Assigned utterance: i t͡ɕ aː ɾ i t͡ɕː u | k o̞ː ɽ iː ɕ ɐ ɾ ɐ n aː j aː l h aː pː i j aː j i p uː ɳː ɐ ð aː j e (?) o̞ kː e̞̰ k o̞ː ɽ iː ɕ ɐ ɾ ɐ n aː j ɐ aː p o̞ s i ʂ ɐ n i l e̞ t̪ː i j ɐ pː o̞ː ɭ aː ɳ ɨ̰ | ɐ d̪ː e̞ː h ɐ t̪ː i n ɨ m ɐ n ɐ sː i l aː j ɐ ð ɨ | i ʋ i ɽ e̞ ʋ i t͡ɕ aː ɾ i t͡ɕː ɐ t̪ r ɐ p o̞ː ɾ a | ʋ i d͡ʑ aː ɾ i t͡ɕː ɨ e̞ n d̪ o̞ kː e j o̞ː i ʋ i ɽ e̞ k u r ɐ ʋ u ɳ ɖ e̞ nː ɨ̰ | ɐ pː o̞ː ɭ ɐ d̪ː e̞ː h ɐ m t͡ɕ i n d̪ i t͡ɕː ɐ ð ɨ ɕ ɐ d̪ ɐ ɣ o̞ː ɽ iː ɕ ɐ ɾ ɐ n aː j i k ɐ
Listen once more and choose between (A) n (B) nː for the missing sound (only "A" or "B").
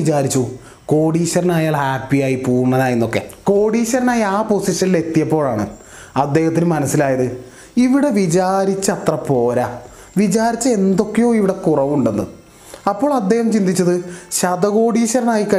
B